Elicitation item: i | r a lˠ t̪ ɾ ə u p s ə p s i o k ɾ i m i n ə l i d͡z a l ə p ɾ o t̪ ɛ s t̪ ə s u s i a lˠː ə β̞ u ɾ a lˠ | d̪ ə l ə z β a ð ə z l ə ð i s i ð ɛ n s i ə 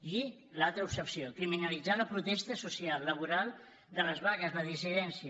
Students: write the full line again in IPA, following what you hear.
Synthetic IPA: i | l a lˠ t̪ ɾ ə u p s ə p s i o k ɾ i m i n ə l i d͡z a l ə p ɾ u t̪ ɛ s t̪ ə s u s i a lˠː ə β̞ u ɾ a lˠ | d̪ ə l ə z β a ɣ ə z l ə ð i s i ð ɛ n s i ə